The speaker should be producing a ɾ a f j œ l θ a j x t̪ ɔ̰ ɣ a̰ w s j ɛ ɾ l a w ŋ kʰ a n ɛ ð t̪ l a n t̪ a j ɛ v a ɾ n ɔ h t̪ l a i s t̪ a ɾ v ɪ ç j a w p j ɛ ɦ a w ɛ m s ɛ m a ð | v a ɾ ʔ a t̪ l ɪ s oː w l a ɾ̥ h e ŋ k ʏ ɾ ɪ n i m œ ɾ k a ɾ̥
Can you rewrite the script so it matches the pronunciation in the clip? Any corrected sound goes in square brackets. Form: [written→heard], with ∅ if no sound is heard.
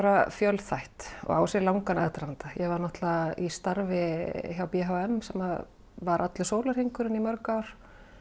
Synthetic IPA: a ɾ a f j œ l θ a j [x→h] t̪ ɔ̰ ɣ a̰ w s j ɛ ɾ l a w ŋ [kʰ→k] a n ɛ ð t̪ [l→ɾ] a n t̪ a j ɛ v a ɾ n ɔ h t̪ l a i s t̪ a ɾ v ɪ ç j a w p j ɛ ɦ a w ɛ m s ɛ m a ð | v a ɾ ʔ a t̪ l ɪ s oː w l a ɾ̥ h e ŋ k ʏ ɾ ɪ n i m œ ɾ k a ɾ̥